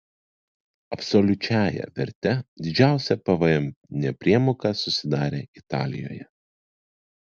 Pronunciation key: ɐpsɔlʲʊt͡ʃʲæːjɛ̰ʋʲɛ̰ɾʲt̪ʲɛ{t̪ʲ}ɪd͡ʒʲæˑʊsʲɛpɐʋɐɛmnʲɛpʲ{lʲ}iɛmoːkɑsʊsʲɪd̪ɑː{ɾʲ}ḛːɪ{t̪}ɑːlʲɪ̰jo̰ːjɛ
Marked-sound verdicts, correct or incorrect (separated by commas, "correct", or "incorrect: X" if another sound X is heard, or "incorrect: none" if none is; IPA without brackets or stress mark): incorrect: d̪ʲ, incorrect: ɾʲ, correct, correct